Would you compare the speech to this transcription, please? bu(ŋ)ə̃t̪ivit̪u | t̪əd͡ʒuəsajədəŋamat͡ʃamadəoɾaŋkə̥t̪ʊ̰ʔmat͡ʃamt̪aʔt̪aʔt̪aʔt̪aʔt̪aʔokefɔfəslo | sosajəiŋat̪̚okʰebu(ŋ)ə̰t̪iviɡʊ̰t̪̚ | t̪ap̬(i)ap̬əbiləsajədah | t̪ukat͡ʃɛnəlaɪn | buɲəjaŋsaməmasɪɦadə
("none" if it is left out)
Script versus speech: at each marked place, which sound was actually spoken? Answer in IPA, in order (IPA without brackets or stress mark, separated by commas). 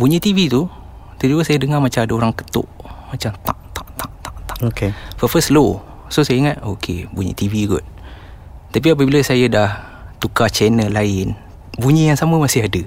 ɲ, ɲ, i